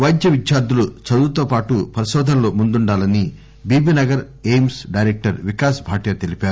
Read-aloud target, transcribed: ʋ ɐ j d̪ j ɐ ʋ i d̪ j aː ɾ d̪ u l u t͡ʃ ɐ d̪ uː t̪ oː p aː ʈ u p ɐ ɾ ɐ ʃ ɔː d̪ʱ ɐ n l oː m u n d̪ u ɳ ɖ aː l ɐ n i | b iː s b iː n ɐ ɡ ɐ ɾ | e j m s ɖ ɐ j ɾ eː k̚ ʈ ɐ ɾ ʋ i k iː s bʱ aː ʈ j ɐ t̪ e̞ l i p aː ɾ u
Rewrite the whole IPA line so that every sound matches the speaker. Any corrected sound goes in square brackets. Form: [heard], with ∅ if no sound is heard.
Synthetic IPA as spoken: ʋ ɐ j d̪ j ɐ ʋ i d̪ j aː ɾ d̪ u l u t͡ʃ ɐ d̪ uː t̪ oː p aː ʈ u p ɐ ɾ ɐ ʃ ɔː d̪ʱ ɐ n l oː m u n d̪ u ɳ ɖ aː l ɐ n i | b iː [∅] b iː n ɐ ɡ ɐ ɾ | e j m s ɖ ɐ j ɾ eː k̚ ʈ ɐ ɾ ʋ i k [aː] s bʱ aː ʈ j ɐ t̪ e̞ l i p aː ɾ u

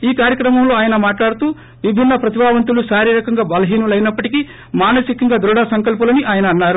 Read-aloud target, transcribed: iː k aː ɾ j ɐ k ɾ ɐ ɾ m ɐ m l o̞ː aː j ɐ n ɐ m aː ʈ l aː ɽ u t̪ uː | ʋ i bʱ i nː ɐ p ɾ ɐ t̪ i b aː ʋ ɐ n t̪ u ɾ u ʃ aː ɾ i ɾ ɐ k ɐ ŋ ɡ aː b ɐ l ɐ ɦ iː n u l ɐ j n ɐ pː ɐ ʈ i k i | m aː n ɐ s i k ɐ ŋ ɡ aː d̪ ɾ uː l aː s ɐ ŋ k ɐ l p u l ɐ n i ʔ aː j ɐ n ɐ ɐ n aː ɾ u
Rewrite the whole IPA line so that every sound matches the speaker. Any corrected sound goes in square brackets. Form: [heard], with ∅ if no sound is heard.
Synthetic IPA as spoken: iː k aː ɾ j ɐ k ɾ ɐ [∅] m ɐ m l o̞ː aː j ɐ n ɐ m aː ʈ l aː ɽ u t̪ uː | ʋ i bʱ i nː ɐ p ɾ ɐ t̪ i b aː ʋ ɐ n t̪ u [l] u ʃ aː ɾ i ɾ ɐ k ɐ ŋ ɡ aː b ɐ l ɐ ɦ iː n u l ɐ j n ɐ pː ɐ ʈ i k i | m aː n ɐ s i k ɐ ŋ ɡ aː d̪ ɾ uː [ɽ] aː s ɐ ŋ k ɐ l p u l ɐ n i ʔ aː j ɐ n ɐ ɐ [nː] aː ɾ u

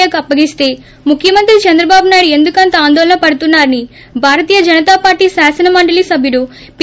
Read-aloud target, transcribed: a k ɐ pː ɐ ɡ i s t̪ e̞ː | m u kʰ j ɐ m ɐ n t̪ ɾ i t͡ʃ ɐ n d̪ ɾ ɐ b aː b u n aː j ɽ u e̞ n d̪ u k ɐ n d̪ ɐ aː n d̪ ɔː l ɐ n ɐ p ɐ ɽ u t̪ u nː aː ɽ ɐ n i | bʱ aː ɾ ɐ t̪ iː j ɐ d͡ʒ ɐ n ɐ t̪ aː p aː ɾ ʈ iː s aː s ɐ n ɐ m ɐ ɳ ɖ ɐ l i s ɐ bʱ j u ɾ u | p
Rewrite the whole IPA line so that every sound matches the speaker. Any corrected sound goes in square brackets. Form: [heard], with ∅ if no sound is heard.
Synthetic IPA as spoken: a k ɐ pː ɐ ɡ i s t̪ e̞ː | m u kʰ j ɐ m ɐ n t̪ ɾ i t͡ʃ ɐ n d̪ ɾ ɐ b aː b u n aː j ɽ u e̞ n d̪ u k ɐ n [t̪] ɐ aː n d̪ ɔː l ɐ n ɐ p ɐ ɽ u t̪ u nː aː [ɾ] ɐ n i | bʱ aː ɾ ɐ t̪ iː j ɐ d͡ʒ ɐ n ɐ t̪ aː p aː ɾ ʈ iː s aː s ɐ n ɐ m ɐ ɳ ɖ ɐ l i s ɐ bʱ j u [ɽ] u | p

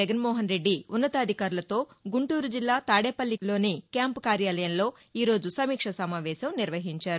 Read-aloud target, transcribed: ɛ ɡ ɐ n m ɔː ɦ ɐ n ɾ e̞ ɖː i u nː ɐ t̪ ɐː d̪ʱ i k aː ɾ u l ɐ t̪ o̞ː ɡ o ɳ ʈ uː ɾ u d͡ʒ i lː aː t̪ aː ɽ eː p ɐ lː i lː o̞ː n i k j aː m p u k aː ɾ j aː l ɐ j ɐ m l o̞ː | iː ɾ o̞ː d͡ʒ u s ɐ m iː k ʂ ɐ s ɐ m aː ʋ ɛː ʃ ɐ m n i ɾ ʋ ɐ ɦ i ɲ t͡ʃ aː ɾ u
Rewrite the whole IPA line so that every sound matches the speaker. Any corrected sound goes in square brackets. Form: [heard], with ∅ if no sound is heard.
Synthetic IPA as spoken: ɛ ɡ ɐ n m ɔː ɦ ɐ n ɾ e̞ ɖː i u nː ɐ t̪ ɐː d̪ʱ i k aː ɾ u l ɐ t̪ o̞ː ɡ [u] ɳ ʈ uː ɾ u d͡ʒ i lː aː t̪ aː ɽ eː p ɐ lː i [l] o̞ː n i k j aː m p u k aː ɾ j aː l ɐ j ɐ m l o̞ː | iː ɾ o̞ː d͡ʒ u s ɐ m iː k ʂ ɐ s ɐ m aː ʋ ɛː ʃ ɐ m n i ɾ ʋ ɐ ɦ i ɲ t͡ʃ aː ɾ u

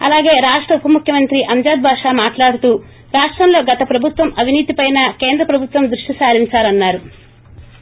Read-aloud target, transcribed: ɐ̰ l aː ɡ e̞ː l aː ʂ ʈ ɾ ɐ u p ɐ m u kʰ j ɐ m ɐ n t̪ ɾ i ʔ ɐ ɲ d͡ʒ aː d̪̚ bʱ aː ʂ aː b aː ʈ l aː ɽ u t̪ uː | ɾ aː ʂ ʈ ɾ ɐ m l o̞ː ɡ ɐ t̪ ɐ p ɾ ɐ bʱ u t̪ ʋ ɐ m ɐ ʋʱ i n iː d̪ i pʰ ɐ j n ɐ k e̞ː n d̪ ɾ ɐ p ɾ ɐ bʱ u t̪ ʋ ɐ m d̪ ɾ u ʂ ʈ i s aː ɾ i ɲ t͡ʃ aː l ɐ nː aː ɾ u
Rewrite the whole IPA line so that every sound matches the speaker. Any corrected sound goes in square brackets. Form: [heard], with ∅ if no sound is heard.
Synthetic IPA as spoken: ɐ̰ l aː ɡ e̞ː [ɾ] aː ʂ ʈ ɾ ɐ u p ɐ m u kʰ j ɐ m ɐ n t̪ ɾ i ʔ ɐ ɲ d͡ʒ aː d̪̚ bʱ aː ʂ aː [m] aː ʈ l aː ɽ u t̪ uː | ɾ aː ʂ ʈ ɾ ɐ m l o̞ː ɡ ɐ t̪ ɐ p ɾ ɐ bʱ u t̪ ʋ ɐ m ɐ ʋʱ i n iː [t̪] i [p] ɐ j n ɐ k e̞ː n d̪ ɾ ɐ p ɾ ɐ bʱ u t̪ ʋ ɐ m d̪ ɾ u ʂ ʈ i s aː ɾ i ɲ t͡ʃ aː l ɐ nː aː ɾ u

